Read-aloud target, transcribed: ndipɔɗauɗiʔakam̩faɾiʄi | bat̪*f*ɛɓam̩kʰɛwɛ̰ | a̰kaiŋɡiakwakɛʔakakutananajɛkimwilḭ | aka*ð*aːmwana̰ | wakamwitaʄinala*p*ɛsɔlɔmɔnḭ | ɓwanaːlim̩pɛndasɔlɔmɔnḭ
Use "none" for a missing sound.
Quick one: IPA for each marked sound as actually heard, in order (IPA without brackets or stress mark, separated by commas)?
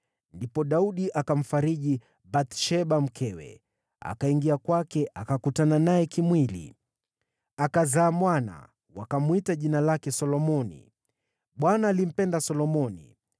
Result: ʃ, z, k